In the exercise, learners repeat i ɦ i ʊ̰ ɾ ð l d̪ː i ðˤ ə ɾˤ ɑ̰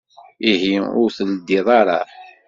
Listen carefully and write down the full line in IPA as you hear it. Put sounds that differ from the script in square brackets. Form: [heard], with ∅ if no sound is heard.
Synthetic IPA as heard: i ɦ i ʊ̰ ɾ [θ] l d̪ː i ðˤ [ɑ] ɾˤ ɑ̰